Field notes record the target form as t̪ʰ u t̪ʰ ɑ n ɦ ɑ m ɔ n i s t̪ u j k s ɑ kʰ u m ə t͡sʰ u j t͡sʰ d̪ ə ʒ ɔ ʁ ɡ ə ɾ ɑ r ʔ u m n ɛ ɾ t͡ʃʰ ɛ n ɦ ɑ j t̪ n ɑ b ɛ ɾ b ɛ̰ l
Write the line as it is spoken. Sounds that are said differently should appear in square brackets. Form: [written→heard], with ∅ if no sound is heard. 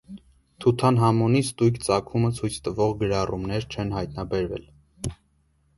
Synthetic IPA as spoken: t̪ʰ u t̪ʰ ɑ n ɦ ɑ m ɔ n i s t̪ u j k [s→t͡s] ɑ kʰ u m ə t͡sʰ u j t͡sʰ [d̪→t̪] ə [ʒ→v] ɔ ʁ ɡ ə ɾ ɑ r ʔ u m n ɛ ɾ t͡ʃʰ ɛ n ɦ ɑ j t̪ n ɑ b ɛ ɾ [b→v] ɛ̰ l